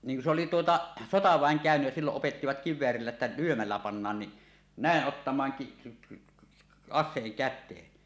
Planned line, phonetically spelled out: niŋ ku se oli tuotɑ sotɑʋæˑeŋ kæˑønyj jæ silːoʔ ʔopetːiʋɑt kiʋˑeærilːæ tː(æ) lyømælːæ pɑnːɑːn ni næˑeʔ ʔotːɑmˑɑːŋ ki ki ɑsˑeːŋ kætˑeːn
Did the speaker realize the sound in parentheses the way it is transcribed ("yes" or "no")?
yes